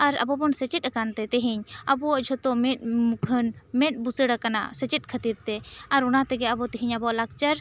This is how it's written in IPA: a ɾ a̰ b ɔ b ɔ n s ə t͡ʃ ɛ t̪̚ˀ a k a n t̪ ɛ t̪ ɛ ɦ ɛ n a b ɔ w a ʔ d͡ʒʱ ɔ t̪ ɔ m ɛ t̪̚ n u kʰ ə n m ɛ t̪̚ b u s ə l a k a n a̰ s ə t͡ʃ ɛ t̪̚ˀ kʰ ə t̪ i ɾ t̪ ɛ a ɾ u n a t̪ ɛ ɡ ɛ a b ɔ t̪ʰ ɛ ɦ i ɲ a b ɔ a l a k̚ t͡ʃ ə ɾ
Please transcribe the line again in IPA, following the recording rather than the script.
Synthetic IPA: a ɾ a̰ b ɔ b ɔ n s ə t͡ʃ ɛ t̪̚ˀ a k a n t̪ ɛ t̪ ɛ ɦ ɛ ɲ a b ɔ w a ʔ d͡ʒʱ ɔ t̪ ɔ m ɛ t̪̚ m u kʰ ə n m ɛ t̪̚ b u s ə ɽ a k a n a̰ s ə t͡ʃ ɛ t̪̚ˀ kʰ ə t̪ i ɾ t̪ ɛ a ɾ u n a t̪ ɛ ɡ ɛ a b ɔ t̪ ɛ ɦ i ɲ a b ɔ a l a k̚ t͡ʃ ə ɾ